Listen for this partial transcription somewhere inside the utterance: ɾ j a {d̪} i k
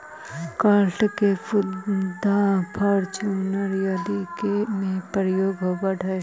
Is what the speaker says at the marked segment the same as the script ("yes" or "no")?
yes